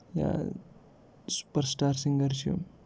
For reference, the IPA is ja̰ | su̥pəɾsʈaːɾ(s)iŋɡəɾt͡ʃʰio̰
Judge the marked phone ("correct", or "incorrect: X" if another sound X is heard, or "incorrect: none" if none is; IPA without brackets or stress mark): correct